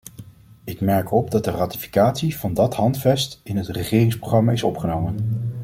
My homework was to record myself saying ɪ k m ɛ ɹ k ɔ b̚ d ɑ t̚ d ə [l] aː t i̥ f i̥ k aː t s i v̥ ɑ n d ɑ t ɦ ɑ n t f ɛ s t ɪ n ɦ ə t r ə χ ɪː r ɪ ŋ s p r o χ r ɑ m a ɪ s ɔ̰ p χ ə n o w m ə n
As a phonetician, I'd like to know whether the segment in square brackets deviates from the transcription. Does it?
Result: yes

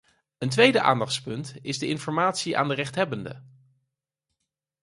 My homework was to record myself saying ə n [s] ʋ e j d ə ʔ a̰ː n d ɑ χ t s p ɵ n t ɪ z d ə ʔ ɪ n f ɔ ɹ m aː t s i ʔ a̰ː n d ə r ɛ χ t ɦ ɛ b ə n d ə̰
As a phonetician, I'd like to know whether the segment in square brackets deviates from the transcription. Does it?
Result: yes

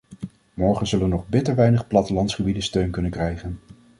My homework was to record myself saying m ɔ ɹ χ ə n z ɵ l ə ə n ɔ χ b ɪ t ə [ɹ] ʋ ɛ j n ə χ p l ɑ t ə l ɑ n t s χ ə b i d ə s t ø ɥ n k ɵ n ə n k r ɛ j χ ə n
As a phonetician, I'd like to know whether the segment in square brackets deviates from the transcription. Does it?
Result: no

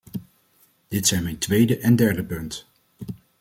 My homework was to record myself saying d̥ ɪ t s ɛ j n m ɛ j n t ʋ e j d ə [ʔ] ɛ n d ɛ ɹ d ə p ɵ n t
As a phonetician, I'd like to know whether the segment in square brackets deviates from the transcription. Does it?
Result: no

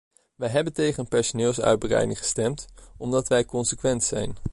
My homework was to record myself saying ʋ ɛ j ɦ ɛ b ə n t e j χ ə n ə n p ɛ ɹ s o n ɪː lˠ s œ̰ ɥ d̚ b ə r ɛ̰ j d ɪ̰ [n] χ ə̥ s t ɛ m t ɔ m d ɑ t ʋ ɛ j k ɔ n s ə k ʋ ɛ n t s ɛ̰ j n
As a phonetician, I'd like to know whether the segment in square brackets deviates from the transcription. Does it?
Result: yes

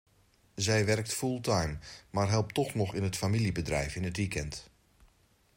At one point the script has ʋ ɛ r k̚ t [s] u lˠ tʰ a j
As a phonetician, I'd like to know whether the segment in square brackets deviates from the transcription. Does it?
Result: yes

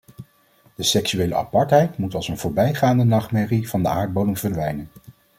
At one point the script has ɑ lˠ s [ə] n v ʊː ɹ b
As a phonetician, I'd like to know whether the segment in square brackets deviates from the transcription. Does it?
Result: no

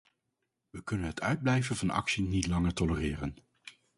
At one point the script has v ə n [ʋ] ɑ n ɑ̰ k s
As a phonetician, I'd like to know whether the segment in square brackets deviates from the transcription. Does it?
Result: yes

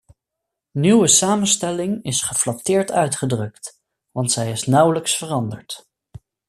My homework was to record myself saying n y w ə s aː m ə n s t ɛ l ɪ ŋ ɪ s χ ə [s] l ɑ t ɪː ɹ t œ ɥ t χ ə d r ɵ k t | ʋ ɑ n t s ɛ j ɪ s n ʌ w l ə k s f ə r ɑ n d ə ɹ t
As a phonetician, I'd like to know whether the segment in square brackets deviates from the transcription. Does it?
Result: yes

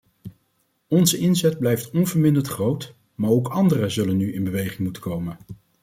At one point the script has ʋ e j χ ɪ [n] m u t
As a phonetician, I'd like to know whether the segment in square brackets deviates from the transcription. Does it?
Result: yes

